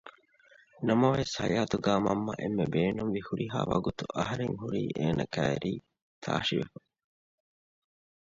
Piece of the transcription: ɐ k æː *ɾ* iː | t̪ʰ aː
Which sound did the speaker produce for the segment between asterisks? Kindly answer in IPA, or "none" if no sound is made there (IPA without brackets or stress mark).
ɾ